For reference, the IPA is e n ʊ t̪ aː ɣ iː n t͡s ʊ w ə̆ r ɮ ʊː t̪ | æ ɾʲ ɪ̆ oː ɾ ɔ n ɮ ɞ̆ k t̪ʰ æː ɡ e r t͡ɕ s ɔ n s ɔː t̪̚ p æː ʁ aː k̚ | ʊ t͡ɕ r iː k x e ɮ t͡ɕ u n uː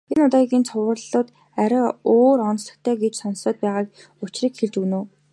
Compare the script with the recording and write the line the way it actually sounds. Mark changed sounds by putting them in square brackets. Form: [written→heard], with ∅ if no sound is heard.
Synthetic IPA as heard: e n ʊ t̪ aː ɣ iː n [t͡s→t͡sʰ] ʊ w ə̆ r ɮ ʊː t̪ | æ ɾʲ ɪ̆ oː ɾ ɔ n ɮ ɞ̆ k t̪ʰ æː ɡ e [r→∅] t͡ɕ s ɔ n s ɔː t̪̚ p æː ʁ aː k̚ | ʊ t͡ɕ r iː k x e ɮ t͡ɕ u n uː